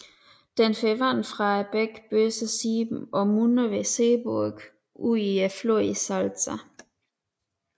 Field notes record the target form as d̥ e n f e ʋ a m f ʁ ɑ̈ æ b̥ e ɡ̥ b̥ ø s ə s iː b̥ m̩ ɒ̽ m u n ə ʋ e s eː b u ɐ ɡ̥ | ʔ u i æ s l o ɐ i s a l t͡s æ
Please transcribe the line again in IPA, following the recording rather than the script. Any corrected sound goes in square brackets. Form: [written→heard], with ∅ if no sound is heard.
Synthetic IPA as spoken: d̥ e n f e ʋ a [m→n] f ʁ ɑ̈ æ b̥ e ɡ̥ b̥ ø s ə s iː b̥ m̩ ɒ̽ m u n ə ʋ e s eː b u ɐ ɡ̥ | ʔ u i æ [s→f] l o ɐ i s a l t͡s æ